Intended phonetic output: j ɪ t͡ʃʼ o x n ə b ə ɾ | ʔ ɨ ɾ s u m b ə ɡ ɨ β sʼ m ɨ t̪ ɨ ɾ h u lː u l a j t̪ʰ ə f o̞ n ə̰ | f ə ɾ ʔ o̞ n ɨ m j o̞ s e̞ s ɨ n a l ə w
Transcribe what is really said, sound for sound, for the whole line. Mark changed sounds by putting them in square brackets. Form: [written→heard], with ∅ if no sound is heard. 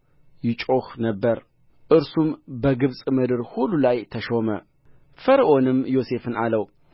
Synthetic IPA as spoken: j ɪ t͡ʃʼ o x n ə [b→bː] ə ɾ | ʔ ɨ ɾ s u m b ə ɡ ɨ β sʼ m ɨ [t̪→d̪] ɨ ɾ h u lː u l a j t̪ʰ ə [f→ʃ] o̞ [n→m] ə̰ | f ə ɾ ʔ o̞ n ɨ m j o̞ s e̞ [s→f] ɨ n a l ə w